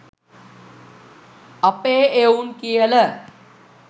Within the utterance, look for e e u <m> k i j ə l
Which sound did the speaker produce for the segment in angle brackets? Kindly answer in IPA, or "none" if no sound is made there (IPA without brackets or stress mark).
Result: n